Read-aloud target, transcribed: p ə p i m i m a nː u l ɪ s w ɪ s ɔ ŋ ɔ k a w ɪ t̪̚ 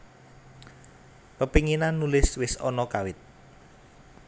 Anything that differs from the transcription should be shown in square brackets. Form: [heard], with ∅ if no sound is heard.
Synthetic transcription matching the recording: p ə p i [ŋ] i [n] a nː u l ɪ s w ɪ s ɔ [n] ɔ k a w ɪ t̪̚